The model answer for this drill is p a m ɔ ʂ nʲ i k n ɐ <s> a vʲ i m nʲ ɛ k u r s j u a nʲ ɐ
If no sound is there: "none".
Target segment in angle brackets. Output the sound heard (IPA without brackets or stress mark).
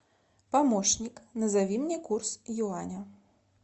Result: z